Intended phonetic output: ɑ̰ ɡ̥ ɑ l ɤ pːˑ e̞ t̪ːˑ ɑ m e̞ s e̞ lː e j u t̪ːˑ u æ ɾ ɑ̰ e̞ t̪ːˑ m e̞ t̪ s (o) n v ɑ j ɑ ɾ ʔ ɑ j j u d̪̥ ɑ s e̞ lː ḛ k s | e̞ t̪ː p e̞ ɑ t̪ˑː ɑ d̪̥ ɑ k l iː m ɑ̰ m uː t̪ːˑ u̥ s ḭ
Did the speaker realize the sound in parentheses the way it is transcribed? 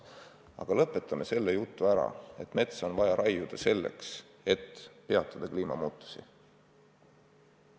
yes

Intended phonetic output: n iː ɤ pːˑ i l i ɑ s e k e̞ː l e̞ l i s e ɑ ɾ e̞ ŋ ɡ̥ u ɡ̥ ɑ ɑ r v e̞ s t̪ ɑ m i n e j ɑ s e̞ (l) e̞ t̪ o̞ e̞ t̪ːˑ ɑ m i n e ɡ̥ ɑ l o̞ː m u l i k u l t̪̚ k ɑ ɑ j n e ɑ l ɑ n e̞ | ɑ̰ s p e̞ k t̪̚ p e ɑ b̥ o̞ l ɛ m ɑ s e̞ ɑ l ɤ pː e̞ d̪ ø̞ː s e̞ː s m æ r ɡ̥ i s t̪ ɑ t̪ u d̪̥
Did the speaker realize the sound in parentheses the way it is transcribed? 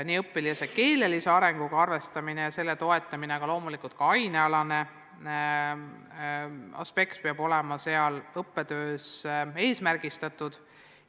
no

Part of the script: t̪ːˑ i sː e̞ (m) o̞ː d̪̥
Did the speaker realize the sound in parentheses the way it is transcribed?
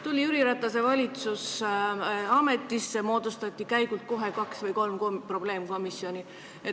yes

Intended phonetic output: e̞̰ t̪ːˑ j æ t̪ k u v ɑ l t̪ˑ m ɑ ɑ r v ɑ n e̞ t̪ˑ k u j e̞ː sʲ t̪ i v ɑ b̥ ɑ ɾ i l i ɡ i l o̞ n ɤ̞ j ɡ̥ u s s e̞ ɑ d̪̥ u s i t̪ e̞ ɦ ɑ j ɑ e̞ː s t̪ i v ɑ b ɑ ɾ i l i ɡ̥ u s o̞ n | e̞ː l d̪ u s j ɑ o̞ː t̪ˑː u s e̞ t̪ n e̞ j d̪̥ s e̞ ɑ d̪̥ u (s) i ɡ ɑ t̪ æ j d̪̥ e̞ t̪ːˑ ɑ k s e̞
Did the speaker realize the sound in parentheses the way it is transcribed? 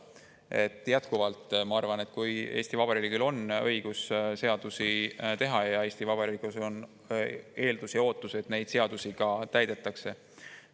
yes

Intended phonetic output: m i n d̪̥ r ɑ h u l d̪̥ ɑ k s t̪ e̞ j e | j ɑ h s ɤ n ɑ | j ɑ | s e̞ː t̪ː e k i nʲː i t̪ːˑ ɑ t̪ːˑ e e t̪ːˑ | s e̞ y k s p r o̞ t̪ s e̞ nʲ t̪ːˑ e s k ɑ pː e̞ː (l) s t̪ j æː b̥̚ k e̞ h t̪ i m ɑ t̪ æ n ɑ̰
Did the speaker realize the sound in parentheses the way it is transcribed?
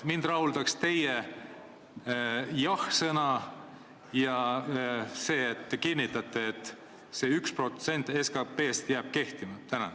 no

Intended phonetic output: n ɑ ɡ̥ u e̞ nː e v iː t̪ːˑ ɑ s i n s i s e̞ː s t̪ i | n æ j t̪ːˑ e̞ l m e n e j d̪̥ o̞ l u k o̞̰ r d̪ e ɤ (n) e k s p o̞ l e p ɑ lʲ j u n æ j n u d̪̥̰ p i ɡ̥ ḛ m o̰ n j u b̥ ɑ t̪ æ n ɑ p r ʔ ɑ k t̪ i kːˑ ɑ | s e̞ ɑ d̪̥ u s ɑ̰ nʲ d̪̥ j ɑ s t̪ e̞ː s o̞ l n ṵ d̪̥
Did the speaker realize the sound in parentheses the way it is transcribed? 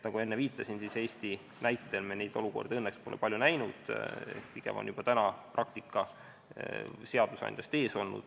no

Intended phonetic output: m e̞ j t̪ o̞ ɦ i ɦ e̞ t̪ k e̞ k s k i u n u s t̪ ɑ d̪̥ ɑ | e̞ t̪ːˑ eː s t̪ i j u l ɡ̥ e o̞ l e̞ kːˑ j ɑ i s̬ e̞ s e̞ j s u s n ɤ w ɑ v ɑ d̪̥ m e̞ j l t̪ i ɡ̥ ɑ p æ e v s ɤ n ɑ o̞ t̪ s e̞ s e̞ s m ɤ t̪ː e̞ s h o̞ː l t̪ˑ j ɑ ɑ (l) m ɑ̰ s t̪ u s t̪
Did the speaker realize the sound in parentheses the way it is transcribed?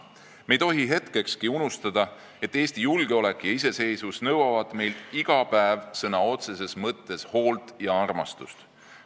no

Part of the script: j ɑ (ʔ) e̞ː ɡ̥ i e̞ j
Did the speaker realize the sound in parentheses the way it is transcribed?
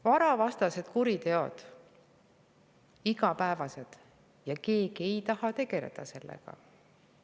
no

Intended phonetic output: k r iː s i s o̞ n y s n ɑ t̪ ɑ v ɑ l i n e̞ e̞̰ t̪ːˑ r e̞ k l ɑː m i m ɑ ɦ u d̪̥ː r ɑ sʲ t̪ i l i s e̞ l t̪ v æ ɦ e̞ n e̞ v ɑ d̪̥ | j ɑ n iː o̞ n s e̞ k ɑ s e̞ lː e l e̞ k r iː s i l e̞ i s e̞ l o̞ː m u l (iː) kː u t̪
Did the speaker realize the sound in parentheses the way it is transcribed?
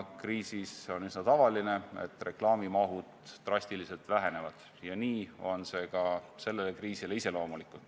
no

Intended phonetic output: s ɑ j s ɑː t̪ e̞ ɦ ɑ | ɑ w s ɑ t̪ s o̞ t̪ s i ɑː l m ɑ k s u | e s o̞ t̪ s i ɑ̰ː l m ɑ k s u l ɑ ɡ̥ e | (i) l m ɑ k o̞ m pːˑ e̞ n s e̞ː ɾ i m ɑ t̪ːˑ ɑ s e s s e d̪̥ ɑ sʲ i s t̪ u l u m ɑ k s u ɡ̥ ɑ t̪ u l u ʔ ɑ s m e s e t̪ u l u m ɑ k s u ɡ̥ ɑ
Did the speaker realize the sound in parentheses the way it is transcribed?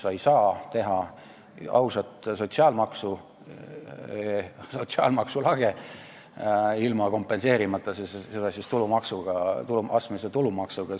yes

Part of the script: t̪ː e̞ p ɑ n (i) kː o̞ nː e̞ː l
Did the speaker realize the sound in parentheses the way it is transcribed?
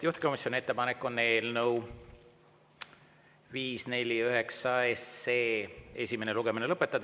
no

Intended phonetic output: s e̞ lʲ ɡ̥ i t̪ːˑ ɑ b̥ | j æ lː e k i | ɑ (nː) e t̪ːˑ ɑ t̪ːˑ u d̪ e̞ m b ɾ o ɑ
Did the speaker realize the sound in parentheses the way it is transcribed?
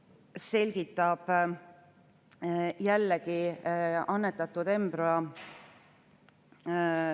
yes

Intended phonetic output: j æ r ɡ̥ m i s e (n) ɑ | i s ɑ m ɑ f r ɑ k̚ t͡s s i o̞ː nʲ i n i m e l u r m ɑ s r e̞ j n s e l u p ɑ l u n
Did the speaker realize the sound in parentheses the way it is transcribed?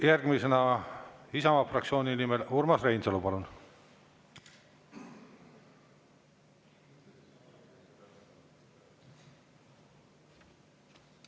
yes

